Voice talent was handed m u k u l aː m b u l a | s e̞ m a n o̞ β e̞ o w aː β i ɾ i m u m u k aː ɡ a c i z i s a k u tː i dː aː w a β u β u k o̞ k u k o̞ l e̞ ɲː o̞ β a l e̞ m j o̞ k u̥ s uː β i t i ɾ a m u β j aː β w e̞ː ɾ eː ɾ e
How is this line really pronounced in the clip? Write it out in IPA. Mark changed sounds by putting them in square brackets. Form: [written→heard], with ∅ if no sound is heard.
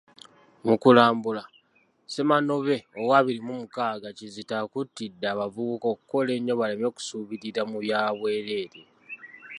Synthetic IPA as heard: m u k u l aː m b u l a | s e̞ m a n o̞ β e̞ o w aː β i ɾ i m u m u k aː ɡ a c i z i [s→t] a k u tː i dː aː [w→β] a [β→v] u β u k o̞ k u k o̞ l e̞ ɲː o̞ β a l e̞ m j o̞ k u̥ s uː β i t i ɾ a m u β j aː β w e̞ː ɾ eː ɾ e